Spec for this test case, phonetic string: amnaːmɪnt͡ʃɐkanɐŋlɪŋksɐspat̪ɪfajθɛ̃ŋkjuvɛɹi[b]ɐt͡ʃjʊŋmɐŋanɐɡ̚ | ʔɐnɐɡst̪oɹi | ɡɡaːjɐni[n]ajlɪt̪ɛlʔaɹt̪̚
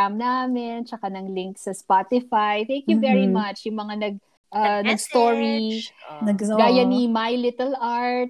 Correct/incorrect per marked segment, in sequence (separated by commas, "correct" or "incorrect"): incorrect, incorrect